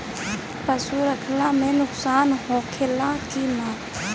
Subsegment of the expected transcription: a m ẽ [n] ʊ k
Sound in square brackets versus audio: correct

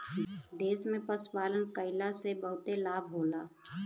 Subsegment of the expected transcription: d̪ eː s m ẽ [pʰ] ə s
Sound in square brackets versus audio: incorrect: p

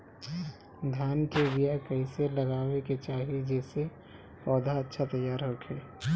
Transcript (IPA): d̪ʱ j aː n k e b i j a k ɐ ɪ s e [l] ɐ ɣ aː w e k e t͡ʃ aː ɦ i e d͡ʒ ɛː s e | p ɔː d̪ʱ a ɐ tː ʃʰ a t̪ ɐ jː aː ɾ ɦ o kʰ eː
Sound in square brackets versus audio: correct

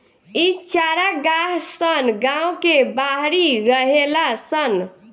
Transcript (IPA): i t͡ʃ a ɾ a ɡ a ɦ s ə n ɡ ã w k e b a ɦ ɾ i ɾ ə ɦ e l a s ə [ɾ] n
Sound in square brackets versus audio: incorrect: none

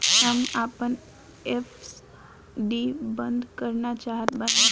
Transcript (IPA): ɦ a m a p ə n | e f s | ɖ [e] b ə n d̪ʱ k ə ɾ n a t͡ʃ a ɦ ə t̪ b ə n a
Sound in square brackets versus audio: incorrect: i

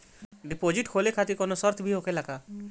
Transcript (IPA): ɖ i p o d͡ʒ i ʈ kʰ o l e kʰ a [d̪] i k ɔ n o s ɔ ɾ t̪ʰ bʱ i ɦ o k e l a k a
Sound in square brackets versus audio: incorrect: t̪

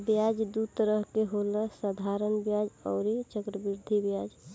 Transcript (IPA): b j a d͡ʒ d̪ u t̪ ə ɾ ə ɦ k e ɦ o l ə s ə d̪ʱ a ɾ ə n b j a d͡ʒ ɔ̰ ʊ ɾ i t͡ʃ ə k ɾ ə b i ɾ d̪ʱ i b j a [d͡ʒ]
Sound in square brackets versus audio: correct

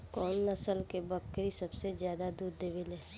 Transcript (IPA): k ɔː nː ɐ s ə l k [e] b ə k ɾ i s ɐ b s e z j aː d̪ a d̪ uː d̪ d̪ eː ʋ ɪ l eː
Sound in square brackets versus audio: correct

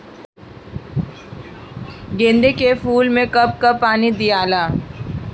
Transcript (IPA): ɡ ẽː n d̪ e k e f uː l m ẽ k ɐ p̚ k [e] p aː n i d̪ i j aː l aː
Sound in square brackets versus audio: incorrect: a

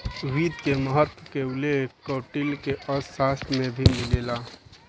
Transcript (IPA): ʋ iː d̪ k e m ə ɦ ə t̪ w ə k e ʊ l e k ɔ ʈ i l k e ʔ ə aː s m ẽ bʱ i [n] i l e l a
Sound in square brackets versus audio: incorrect: m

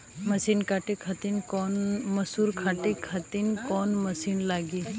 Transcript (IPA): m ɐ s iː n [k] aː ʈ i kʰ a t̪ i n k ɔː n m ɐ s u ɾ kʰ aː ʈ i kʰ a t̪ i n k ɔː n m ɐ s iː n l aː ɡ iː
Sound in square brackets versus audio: correct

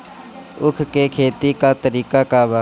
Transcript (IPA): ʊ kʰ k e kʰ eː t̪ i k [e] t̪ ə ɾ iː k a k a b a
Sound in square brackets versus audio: incorrect: a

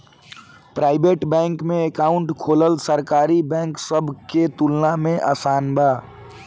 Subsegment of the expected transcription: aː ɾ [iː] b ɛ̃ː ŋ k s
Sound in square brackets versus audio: incorrect: i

